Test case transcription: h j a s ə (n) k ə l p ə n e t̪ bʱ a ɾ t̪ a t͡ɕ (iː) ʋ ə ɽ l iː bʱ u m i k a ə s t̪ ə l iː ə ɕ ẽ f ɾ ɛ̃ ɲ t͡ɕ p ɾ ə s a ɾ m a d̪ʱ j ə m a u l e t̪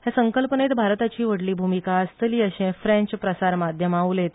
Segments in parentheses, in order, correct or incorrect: incorrect: ŋ, correct

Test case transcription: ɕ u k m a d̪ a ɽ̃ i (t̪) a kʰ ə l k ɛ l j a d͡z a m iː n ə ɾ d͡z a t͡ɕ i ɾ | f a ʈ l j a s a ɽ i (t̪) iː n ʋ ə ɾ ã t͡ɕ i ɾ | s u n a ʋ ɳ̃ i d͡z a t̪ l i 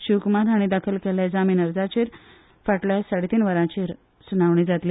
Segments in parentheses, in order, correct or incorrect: incorrect: d̪, correct

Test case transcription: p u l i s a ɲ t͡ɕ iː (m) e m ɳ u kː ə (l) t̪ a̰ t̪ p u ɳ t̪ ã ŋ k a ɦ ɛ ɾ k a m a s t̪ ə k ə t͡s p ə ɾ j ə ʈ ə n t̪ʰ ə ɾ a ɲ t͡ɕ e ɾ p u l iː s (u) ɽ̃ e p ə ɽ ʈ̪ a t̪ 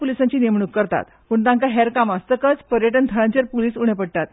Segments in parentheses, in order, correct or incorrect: incorrect: n, incorrect: ɾ, correct

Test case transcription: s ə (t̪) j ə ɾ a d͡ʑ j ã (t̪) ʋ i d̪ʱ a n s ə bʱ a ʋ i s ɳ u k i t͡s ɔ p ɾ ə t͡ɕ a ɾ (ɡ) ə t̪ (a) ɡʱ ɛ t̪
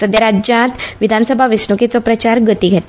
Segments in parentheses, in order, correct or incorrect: incorrect: d̪, correct, correct, incorrect: i

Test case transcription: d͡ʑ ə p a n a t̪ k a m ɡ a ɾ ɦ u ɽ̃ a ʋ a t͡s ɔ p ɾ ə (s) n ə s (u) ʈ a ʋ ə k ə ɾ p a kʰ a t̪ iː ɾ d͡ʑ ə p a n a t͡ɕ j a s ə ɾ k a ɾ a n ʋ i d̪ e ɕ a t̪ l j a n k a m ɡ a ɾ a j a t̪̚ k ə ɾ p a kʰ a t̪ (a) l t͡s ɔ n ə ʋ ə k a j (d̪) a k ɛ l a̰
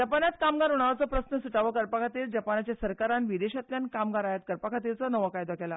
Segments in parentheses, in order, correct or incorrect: correct, correct, incorrect: i, correct

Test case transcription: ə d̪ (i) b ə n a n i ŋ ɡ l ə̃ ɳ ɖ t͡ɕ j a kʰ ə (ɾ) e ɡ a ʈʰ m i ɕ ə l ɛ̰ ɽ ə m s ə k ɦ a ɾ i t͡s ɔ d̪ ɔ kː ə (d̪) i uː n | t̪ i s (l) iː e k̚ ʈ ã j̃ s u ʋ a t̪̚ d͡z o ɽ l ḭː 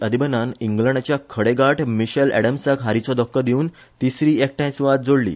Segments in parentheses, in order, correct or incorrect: correct, incorrect: ɽ, correct, incorrect: ɾ

